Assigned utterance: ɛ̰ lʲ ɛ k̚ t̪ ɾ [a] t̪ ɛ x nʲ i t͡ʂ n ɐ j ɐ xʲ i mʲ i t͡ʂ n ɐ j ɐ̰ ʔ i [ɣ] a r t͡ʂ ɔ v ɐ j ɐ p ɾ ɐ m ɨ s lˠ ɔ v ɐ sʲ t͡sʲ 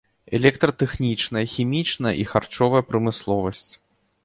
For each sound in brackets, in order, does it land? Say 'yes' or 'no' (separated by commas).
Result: no, no